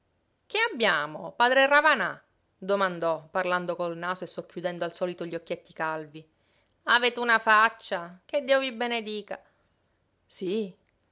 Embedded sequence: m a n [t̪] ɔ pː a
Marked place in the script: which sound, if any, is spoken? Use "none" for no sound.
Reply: d̪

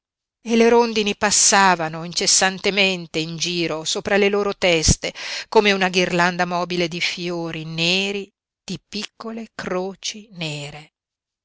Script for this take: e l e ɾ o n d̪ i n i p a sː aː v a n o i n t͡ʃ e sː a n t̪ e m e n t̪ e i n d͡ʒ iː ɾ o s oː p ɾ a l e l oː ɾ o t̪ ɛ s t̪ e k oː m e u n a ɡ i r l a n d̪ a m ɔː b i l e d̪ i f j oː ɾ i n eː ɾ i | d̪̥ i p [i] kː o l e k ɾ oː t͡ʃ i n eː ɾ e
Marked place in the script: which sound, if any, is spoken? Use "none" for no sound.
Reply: i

